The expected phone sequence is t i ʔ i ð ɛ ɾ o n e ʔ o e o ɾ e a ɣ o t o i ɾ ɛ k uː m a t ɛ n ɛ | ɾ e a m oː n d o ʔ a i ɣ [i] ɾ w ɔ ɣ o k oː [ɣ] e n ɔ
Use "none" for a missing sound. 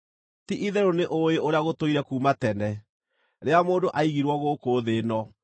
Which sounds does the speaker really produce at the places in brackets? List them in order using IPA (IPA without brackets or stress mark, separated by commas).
i, ð